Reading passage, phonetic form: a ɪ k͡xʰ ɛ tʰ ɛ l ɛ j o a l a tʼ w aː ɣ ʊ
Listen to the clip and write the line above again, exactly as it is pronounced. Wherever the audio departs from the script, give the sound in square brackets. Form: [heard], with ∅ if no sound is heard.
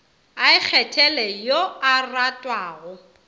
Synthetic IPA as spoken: a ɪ k͡xʰ ɛ tʰ ɛ l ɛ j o a [r] a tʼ w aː ɣ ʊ